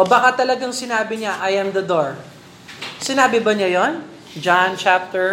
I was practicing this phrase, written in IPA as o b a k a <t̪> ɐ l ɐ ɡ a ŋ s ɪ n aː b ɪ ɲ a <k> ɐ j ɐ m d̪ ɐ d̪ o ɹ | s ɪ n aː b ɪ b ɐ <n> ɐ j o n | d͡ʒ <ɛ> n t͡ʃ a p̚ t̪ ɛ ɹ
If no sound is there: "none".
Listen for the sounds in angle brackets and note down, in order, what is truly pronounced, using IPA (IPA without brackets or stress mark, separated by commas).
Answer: t̪, ʔ, ɲ, a